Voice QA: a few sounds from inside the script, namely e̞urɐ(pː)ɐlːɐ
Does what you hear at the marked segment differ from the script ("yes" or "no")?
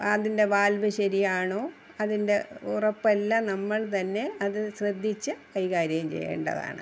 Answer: no